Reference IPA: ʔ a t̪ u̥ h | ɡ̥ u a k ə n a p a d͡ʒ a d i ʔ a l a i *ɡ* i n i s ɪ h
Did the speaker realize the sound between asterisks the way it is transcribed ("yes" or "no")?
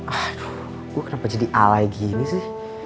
yes